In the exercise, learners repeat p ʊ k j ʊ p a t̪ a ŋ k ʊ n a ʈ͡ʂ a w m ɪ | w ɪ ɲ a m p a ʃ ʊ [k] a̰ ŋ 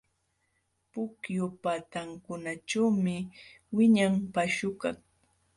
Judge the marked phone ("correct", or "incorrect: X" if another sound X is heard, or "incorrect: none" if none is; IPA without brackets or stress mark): correct